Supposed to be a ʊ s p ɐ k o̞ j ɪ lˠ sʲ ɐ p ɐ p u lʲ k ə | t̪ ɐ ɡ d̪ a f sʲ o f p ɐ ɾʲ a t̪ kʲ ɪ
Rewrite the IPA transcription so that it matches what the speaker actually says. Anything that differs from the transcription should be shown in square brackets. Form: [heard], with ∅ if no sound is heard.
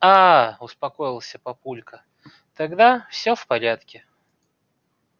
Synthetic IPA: a ʊ s p ɐ k o̞ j ɪ lˠ sʲ [ə] p ɐ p u lʲ k ə | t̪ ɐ ɡ d̪ a f sʲ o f p ɐ ɾʲ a t̪ kʲ ɪ